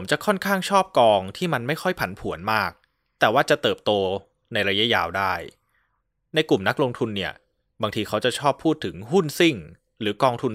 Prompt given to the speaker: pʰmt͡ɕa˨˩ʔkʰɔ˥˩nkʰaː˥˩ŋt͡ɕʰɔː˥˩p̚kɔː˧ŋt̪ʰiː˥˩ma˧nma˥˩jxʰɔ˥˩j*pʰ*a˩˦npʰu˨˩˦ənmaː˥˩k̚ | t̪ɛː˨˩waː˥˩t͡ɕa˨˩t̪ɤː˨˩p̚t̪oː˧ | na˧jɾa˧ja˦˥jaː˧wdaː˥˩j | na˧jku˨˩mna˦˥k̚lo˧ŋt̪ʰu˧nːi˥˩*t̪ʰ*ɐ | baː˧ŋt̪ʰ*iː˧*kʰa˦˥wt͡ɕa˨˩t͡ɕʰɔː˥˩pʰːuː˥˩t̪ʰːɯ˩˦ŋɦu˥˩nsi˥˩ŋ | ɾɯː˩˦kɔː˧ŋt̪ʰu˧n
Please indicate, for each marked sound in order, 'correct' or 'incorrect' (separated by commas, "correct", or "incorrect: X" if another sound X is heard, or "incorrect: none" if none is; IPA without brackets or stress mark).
correct, incorrect: none, correct